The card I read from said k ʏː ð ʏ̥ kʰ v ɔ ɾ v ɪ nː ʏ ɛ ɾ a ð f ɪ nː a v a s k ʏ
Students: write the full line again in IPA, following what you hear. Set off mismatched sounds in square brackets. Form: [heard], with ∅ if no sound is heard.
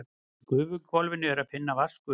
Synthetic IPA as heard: k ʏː [v] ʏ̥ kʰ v ɔ [l] v ɪ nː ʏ ɛ ɾ a ð f ɪ nː a v a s k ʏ